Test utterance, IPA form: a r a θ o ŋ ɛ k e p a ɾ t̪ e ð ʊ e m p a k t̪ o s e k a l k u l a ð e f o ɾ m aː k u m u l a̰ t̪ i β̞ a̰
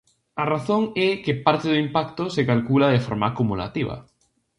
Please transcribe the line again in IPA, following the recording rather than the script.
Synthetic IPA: a r a θ o ŋ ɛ k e p a ɾ t̪ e ð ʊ i m p a k t̪ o s e k a l k u l a ð e f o ɾ m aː k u m u l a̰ t̪ i β̞ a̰